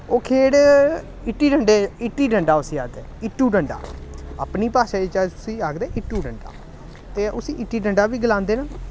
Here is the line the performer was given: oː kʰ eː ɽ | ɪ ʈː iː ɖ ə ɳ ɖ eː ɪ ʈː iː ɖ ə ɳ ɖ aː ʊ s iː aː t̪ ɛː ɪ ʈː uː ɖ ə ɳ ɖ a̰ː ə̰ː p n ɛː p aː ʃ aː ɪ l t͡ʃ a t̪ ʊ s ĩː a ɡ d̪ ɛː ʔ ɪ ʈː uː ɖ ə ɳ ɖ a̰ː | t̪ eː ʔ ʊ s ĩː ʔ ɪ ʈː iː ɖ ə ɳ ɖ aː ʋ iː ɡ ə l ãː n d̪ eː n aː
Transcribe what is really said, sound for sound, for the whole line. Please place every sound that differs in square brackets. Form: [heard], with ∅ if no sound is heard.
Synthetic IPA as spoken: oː kʰ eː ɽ | ɪ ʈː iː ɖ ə ɳ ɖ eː ɪ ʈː iː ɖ ə ɳ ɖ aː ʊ s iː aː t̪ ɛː ɪ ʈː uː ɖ ə ɳ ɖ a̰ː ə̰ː p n [iː] p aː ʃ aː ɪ [∅] t͡ʃ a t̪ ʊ s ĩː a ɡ d̪ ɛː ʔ ɪ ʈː uː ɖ ə ɳ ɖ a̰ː | t̪ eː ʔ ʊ s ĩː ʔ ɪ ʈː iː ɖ ə ɳ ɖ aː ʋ iː ɡ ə l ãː n d̪ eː n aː